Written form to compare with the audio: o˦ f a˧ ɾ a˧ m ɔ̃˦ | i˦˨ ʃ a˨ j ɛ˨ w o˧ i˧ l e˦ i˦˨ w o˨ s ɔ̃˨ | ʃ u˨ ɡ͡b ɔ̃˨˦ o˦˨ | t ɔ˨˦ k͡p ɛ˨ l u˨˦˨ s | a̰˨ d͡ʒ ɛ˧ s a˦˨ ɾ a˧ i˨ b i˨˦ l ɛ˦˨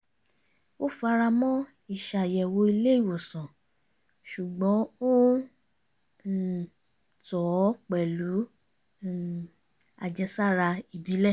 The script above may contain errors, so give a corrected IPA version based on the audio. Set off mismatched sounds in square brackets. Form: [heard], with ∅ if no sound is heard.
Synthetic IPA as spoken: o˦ f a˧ ɾ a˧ m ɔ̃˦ | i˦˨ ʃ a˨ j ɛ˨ w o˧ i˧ l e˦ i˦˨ w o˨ s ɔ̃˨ | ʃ u˨ ɡ͡b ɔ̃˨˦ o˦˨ | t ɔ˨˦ k͡p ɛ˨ l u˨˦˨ [∅] | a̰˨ d͡ʒ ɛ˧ s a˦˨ ɾ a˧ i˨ b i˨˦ l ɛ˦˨